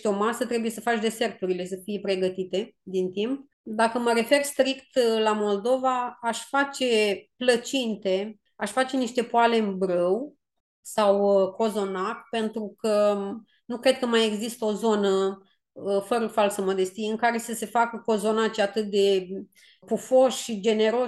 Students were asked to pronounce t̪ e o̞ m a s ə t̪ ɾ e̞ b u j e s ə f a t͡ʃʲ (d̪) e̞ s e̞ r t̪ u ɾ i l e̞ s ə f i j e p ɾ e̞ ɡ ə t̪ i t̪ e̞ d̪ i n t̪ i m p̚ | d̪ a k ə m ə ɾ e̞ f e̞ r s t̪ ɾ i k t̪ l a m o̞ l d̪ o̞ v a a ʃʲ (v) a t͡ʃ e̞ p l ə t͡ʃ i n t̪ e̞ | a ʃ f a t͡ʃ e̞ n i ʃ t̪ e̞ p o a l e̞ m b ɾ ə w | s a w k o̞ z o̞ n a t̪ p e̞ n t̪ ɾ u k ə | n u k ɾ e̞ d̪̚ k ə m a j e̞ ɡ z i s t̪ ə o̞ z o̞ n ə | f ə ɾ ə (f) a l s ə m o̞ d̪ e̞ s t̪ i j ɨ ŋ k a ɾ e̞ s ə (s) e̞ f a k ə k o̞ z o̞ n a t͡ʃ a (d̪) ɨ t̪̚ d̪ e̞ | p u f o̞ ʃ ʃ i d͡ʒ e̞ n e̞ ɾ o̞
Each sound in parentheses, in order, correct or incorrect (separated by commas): correct, incorrect, correct, correct, incorrect